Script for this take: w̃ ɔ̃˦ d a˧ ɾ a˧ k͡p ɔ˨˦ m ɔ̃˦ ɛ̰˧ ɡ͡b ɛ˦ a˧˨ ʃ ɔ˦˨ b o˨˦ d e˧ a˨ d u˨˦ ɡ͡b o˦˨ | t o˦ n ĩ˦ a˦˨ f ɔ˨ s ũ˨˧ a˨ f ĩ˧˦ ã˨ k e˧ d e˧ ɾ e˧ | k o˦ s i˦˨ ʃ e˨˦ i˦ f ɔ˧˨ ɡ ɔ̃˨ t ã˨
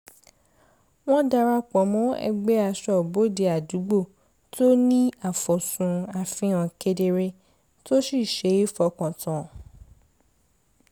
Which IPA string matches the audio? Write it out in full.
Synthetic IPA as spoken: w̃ ɔ̃˦ d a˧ ɾ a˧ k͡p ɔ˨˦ m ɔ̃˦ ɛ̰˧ ɡ͡b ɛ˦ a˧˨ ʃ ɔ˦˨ b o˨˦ d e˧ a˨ d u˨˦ ɡ͡b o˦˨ | t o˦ n ĩ˦ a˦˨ f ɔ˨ s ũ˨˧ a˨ f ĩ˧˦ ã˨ k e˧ d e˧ ɾ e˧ | t o˦ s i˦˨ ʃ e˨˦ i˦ f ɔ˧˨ k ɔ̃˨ t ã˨

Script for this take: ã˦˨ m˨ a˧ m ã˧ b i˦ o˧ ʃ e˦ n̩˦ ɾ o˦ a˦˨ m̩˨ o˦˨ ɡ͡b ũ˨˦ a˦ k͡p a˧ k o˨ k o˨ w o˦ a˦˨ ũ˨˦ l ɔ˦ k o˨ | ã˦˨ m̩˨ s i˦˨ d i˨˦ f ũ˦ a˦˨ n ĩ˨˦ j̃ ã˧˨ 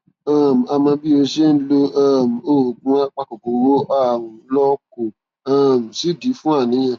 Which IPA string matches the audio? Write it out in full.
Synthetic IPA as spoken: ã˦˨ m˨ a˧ m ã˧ b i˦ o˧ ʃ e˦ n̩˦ l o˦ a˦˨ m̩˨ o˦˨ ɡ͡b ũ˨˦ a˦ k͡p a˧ k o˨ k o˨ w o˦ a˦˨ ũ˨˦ l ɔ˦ k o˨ | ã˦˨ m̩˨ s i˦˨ d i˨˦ f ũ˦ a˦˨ n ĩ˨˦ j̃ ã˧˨

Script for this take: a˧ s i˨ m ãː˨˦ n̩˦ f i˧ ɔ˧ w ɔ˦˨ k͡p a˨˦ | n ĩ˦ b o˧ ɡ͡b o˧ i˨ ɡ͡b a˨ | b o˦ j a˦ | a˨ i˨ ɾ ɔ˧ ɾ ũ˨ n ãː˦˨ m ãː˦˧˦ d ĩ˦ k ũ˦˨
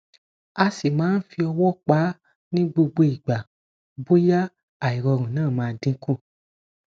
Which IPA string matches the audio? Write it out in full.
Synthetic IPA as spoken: a˧ s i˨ m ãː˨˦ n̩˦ f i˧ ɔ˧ w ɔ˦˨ k͡p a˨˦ | n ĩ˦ ɡ͡b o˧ ɡ͡b o˧ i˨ ɡ͡b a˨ | b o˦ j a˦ | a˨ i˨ ɾ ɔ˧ ɾ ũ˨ n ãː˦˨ m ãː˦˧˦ d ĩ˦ k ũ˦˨

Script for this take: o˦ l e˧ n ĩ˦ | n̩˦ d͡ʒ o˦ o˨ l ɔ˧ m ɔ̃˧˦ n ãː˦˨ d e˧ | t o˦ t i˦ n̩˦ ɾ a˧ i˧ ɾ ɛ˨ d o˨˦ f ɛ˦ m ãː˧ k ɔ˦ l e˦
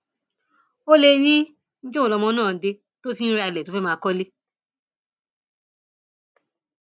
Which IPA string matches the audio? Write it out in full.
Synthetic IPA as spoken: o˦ l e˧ n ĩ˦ | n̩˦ d͡ʒ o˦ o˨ l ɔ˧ m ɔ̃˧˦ n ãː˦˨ d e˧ | t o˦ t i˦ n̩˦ ɾ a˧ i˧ l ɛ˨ t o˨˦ f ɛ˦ m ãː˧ k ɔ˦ l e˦

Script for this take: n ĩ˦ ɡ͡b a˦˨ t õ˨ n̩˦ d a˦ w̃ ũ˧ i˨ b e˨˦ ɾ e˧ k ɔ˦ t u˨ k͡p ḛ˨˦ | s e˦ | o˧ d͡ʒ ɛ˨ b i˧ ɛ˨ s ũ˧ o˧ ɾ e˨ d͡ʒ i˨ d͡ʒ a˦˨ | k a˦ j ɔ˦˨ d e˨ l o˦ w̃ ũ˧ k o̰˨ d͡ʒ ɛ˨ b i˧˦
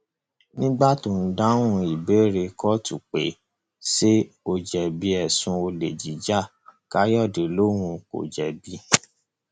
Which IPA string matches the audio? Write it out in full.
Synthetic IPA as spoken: n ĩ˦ ɡ͡b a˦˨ t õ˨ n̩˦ d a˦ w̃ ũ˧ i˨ b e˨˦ ɾ e˧ k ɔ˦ t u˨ k͡p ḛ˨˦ | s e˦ | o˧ d͡ʒ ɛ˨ b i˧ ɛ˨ s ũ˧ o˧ l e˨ d͡ʒ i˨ d͡ʒ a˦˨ | k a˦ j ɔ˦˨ d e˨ l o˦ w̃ ũ˧ k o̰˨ d͡ʒ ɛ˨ b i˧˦

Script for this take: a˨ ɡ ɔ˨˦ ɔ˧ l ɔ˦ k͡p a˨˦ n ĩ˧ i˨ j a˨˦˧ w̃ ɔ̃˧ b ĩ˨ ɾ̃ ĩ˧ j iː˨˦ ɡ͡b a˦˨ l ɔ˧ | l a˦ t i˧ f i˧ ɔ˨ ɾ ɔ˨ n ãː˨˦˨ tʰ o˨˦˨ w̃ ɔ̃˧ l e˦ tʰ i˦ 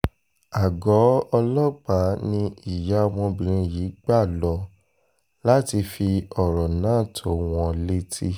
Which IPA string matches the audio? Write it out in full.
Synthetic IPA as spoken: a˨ ɡ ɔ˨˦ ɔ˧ l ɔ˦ k͡p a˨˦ n ĩ˧ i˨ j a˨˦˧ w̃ ɔ̃˧ b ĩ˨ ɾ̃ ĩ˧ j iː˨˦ ɡ͡b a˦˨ l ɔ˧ | l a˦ t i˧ f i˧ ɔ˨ ɾ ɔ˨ n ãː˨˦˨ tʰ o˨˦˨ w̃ ɔ̃˧ l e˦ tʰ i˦

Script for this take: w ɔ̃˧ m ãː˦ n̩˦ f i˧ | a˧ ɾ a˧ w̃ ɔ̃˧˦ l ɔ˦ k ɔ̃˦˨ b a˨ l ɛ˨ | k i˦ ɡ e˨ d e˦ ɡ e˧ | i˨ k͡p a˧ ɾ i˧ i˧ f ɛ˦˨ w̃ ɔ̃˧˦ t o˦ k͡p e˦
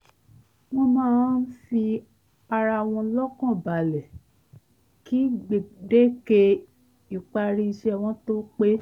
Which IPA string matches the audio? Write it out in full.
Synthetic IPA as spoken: w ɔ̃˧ m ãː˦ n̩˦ f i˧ | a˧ ɾ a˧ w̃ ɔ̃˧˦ l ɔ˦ k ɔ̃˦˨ b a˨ l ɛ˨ | k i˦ ɡ͡b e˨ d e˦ k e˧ | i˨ k͡p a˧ ɾ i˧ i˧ ʃ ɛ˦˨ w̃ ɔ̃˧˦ t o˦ k͡p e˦

